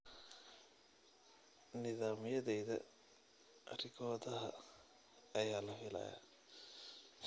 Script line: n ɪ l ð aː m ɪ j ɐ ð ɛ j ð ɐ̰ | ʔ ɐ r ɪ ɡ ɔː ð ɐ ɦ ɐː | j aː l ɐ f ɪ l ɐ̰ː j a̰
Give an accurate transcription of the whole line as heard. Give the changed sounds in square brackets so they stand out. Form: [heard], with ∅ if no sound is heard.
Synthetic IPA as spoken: n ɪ [∅] ð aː m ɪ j ɐ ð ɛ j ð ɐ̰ | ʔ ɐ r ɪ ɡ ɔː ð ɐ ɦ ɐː | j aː l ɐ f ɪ l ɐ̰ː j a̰